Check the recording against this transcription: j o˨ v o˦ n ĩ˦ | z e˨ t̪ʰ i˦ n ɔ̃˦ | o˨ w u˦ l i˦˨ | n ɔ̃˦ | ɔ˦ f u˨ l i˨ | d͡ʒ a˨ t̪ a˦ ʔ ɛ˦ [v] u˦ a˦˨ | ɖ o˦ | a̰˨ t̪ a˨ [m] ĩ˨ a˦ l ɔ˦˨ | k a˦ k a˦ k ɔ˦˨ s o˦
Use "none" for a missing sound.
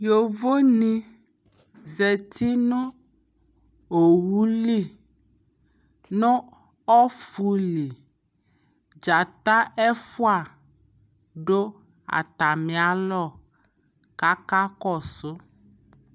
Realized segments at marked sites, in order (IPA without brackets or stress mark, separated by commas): f, m